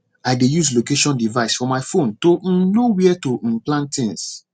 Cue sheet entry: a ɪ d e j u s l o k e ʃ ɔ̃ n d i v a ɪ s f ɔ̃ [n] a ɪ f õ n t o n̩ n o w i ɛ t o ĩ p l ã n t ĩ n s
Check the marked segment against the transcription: incorrect: m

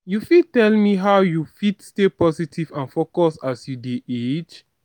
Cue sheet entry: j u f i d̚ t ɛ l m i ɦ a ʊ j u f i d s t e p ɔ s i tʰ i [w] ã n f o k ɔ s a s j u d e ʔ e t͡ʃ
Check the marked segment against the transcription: incorrect: v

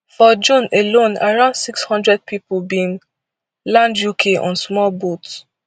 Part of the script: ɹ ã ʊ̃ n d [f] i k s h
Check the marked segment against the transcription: incorrect: s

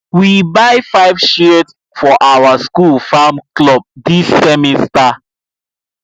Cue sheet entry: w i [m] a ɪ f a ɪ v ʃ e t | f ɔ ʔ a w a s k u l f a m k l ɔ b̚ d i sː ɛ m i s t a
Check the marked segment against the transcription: incorrect: b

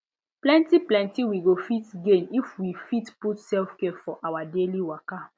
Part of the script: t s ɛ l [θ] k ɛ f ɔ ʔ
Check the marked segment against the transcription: incorrect: f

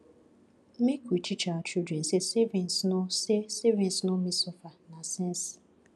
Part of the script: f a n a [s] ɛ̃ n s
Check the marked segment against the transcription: correct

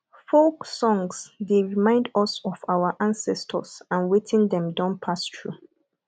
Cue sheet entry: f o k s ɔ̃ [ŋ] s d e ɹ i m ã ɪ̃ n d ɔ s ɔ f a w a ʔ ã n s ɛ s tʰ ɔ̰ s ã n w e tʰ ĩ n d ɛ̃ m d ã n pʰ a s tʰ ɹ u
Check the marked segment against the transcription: correct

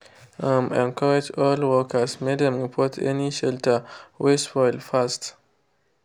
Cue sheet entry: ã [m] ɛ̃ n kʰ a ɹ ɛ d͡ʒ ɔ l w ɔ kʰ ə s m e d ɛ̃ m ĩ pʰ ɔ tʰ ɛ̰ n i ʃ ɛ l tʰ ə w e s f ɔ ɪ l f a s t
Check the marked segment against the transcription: correct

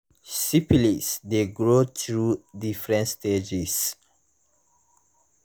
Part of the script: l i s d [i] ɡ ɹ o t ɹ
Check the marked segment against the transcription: incorrect: e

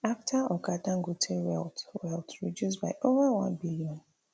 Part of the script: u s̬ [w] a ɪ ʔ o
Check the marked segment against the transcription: incorrect: b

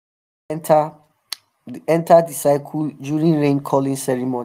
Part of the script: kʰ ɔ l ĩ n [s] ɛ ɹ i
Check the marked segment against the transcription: correct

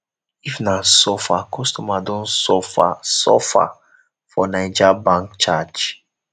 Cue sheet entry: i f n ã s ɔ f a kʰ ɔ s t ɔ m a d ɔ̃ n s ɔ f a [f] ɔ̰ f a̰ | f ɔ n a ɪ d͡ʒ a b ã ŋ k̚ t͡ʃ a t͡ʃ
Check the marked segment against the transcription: incorrect: s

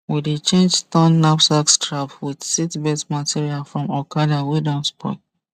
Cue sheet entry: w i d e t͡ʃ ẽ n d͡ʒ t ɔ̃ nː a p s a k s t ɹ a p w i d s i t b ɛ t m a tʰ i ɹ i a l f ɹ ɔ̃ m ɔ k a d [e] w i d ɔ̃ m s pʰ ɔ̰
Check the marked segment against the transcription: incorrect: a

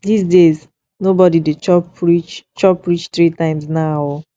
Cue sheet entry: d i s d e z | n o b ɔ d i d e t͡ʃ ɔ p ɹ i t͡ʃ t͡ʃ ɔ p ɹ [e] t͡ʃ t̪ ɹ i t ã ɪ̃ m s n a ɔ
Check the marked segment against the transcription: incorrect: i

